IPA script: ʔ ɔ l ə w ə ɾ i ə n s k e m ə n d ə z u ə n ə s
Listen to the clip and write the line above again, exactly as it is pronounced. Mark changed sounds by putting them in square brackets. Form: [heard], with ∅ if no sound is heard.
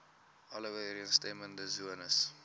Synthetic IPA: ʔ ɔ l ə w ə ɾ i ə n s [t] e m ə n d ə z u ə n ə s